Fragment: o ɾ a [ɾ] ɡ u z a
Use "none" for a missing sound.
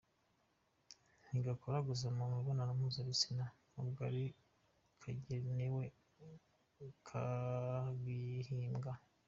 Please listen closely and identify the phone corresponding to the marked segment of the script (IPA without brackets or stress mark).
none